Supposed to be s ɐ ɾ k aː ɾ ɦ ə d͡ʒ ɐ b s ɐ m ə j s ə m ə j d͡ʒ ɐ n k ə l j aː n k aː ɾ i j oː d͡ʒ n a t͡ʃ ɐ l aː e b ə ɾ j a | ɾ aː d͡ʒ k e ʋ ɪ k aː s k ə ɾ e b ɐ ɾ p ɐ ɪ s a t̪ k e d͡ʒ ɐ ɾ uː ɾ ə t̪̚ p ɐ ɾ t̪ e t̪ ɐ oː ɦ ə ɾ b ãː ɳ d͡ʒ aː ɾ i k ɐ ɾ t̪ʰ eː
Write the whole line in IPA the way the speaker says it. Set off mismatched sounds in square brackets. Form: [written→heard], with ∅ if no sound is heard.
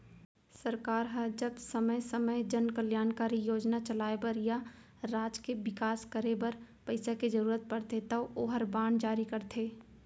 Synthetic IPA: s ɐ ɾ k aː ɾ ɦ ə d͡ʒ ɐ b s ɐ m ə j s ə m ə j d͡ʒ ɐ n k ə l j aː n k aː ɾ i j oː d͡ʒ n a t͡ʃ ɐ l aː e b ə ɾ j a | ɾ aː d͡ʒ k e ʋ ɪ k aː s k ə ɾ e b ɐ ɾ p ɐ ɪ s a [t̪→∅] k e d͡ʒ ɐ ɾ uː ɾ ə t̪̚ p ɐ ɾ t̪ e t̪ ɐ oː ɦ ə ɾ b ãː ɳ d͡ʒ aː ɾ i k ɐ ɾ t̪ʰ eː

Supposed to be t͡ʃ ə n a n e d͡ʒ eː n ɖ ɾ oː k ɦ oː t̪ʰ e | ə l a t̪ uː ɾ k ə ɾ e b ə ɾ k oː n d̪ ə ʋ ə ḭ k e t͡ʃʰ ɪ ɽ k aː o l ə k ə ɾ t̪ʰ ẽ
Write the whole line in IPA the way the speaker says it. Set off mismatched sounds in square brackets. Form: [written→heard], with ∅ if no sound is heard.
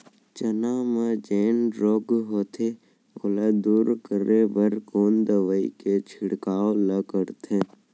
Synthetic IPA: t͡ʃ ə n a [n→m] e d͡ʒ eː n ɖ ɾ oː [k→ɡ] ɦ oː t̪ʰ e | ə l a [t̪→d̪] uː ɾ k ə ɾ e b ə ɾ k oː n d̪ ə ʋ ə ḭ k e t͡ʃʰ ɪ ɽ k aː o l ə k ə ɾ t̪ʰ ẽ

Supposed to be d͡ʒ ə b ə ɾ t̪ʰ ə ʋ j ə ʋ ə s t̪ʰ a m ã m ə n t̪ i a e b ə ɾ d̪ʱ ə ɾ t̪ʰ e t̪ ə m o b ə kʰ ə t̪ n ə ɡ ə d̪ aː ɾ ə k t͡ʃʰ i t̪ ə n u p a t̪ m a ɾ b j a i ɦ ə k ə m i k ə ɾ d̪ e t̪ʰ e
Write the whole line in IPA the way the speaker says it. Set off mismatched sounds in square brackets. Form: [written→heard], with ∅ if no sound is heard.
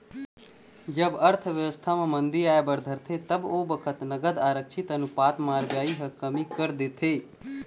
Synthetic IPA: d͡ʒ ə b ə ɾ t̪ʰ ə ʋ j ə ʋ ə s t̪ʰ a m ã m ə n [t̪→d̪] i a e b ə ɾ d̪ʱ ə ɾ t̪ʰ e t̪ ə [m→b] o b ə kʰ ə t̪ n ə ɡ ə d̪ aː ɾ ə k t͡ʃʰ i t̪ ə n u p a t̪ m a ɾ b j a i ɦ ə k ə m i k ə ɾ d̪ e t̪ʰ e

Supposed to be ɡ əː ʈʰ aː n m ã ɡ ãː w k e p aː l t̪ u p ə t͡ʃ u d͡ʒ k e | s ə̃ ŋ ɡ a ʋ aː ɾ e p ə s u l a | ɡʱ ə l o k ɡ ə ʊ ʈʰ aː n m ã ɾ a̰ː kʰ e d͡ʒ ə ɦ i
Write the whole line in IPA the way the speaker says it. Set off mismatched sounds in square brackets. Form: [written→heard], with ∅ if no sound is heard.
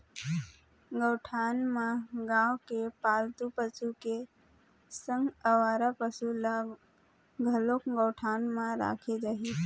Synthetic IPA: ɡ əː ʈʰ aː n m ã ɡ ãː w k e p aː l t̪ u p ə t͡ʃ u [d͡ʒ→∅] k e | s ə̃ ŋ ɡ [a→ə] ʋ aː ɾ [e→a] p ə s u l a | ɡʱ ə l o k ɡ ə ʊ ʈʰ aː n m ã ɾ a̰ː kʰ e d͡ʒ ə ɦ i

